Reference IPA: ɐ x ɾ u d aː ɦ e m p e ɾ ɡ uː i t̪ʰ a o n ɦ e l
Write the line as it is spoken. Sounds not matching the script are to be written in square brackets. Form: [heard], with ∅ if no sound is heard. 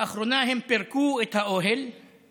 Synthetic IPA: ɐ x ɾ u [n] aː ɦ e m p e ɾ [k] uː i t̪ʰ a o [∅] ɦ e l